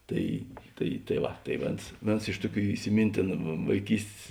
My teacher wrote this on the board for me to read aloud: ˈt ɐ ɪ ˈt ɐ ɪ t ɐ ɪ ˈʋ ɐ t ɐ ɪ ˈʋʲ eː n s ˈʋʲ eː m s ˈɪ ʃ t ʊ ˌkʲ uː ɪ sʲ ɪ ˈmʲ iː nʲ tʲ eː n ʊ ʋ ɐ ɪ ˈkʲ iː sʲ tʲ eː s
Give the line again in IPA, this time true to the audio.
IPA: ˈt ɐ ɪ ˈt ɐ ɪ t ɐ ɪ ˈʋ ɐ t ɐ ɪ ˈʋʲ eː n s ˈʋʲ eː n s ˈɪ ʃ t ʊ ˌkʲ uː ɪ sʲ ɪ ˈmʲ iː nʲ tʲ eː n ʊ ʋ ɐ ɪ ˈkʲ iː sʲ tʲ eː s